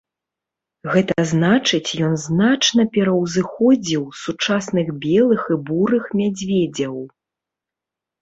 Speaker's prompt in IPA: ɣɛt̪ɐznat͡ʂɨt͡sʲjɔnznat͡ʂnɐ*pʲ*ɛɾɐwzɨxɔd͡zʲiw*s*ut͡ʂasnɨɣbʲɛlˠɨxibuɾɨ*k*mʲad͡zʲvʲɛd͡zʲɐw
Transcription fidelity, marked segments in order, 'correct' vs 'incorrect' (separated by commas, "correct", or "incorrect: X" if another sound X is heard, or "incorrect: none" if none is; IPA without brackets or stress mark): correct, correct, incorrect: x